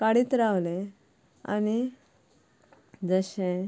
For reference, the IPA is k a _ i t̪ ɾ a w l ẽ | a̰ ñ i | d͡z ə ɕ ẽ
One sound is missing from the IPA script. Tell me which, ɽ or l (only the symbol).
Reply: ɽ